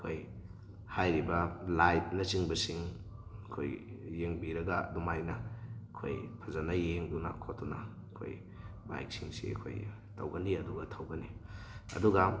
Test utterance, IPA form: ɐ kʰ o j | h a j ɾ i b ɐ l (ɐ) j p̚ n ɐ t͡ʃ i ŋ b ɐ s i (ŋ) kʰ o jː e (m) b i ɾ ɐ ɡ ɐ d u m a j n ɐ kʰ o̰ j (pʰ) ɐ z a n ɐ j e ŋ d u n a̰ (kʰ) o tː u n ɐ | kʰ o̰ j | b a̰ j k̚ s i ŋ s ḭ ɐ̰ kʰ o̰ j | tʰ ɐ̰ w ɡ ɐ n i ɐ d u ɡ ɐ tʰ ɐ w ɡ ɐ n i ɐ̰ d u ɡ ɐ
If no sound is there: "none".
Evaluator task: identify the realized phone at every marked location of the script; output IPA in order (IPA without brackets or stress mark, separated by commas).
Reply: a, ŋ, ŋ, pʰ, kʰ